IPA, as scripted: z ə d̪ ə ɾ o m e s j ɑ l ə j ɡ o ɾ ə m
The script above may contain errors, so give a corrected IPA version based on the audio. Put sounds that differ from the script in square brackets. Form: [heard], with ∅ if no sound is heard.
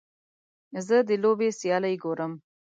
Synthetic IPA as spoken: z ə d̪ ə [l] o [b] e s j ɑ l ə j ɡ o ɾ ə m